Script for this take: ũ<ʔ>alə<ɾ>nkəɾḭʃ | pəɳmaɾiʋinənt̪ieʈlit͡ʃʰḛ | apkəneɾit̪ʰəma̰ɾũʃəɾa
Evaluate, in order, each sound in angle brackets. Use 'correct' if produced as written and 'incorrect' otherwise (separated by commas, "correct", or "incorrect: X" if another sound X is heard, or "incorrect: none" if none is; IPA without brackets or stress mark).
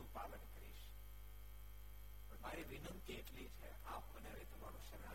incorrect: p, incorrect: none